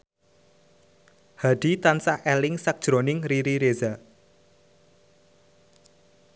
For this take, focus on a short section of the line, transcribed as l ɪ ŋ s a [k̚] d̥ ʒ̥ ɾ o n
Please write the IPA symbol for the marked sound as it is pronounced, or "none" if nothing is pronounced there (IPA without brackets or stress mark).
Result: k̚